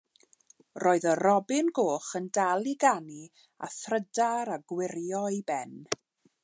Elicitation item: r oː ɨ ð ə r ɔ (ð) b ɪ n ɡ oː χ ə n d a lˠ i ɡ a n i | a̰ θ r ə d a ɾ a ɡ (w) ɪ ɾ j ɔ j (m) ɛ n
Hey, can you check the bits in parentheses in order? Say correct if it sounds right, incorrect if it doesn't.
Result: incorrect: none, correct, incorrect: b

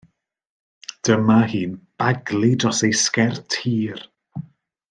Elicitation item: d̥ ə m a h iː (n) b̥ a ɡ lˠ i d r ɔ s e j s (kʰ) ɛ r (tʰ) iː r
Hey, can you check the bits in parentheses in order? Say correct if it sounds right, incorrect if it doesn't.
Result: correct, incorrect: k, correct

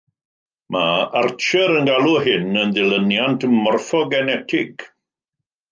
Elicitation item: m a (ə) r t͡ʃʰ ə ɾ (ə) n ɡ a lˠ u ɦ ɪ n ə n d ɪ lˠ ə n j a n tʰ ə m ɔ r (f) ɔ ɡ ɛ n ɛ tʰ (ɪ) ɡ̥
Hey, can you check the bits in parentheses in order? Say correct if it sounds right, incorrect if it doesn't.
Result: incorrect: a, correct, correct, correct

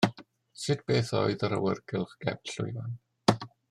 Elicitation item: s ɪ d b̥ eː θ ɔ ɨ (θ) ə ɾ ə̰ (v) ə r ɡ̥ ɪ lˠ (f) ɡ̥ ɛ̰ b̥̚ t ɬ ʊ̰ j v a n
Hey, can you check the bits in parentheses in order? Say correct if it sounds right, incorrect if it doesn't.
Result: incorrect: ð, incorrect: w, incorrect: χ

